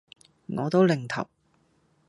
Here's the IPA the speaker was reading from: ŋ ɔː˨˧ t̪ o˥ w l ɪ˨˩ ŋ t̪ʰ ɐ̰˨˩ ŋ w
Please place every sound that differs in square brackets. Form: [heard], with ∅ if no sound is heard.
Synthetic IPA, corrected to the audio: ŋ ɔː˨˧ t̪ o˥ w l ɪ˨˩ ŋ t̪ʰ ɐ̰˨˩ [∅] w

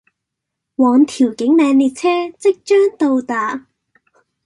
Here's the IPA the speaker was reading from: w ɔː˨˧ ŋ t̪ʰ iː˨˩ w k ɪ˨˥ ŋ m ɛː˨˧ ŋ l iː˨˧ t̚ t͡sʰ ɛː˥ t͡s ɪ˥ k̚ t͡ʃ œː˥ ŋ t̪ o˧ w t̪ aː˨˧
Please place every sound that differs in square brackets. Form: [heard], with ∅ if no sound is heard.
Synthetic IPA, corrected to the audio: w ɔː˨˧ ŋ t̪ʰ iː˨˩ w k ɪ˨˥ ŋ m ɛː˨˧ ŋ l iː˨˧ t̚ t͡sʰ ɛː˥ t͡s ɪ˥ k̚ t͡ʃ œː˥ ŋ t̪ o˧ w t̪ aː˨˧

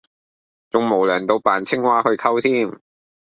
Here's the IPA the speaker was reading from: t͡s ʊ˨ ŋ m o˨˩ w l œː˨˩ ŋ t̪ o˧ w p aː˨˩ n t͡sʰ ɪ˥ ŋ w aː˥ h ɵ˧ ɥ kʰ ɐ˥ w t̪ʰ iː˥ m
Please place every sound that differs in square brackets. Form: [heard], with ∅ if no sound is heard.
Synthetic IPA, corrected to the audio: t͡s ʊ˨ ŋ m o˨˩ w l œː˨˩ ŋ t̪ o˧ w p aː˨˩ n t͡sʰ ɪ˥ ŋ w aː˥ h ɵ˧ ɥ kʰ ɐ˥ w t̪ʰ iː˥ m

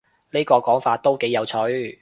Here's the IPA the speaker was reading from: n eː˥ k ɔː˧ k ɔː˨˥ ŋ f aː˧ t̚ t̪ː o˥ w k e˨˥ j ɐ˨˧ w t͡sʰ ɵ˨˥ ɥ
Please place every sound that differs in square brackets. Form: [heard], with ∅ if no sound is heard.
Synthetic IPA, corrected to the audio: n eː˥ k ɔː˧ k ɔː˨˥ ŋ f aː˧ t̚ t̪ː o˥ w k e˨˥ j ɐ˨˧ w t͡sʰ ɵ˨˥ ɥ

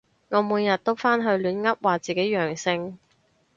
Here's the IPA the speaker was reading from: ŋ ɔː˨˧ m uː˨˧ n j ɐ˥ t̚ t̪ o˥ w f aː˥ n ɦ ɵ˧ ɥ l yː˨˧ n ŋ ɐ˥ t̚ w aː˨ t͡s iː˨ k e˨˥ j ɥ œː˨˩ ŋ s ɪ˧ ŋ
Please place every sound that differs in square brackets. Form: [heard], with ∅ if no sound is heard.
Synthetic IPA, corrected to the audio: ŋ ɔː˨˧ m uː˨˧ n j [ɐ˨] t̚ t̪ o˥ w f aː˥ n ɦ ɵ˧ ɥ l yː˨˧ n ŋ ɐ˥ [p̚] w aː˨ t͡s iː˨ k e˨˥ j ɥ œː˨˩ ŋ s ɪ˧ ŋ

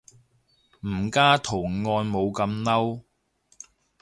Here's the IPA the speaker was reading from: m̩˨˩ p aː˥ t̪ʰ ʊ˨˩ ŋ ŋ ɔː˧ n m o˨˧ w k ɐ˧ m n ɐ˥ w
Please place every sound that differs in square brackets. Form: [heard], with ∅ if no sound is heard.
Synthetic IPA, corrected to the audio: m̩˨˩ [k] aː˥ t̪ʰ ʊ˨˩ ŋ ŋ ɔː˧ n m o˨˧ w k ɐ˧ m n ɐ˥ w

